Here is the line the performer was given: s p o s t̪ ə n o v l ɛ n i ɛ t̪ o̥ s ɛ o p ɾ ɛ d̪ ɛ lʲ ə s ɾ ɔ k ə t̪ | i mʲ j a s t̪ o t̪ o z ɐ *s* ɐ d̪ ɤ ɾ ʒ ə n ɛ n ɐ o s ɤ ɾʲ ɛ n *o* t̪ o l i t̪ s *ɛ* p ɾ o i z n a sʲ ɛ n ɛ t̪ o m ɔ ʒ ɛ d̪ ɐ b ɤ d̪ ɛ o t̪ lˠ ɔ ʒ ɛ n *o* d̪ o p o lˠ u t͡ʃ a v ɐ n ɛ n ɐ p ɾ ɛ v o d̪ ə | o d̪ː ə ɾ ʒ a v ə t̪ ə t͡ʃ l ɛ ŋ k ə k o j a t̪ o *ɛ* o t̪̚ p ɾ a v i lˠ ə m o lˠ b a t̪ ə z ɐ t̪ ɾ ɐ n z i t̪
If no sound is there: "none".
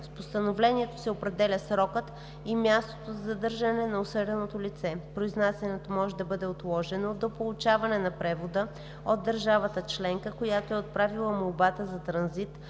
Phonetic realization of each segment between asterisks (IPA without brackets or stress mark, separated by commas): z, o, ɛ, o, ɛ